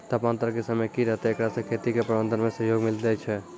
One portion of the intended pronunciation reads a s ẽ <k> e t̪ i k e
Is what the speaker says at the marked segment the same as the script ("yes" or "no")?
no